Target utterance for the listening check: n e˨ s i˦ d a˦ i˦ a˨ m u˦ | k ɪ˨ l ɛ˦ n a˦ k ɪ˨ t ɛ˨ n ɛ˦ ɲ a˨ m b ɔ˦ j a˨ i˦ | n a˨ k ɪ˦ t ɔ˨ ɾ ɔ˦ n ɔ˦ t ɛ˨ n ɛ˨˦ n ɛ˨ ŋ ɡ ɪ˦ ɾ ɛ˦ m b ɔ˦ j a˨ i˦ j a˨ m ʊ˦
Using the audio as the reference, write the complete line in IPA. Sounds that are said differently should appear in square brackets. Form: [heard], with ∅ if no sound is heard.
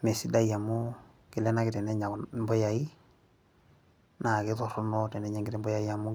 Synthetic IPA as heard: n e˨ s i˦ d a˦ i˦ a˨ m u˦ | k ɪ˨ l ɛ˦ n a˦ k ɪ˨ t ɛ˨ n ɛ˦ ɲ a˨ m b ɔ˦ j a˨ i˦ | n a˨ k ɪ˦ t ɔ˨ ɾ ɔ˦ n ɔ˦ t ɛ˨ n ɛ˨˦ [ɲ] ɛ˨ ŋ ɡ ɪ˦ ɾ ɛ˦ m b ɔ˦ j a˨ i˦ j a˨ m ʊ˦